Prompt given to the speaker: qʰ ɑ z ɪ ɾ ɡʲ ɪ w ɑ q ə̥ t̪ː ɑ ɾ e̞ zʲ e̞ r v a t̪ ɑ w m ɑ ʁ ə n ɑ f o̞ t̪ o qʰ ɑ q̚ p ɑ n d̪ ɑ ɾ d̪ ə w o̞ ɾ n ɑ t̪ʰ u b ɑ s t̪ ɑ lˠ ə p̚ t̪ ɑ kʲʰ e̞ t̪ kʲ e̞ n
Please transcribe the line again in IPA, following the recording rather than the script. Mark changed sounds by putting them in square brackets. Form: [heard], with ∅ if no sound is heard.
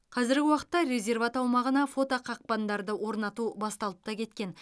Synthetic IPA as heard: qʰ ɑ z ɪ ɾ ɡʲ ɪ w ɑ q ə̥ t̪ː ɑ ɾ e̞ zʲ e̞ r v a t̪ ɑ w m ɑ ʁ ə n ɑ f o̞ t̪ o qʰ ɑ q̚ p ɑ n d̪ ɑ ɾ d̪ ə w o̞ ɾ n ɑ [t̪] u b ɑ s t̪ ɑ lˠ ə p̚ t̪ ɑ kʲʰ e̞ t̪ kʲ e̞ n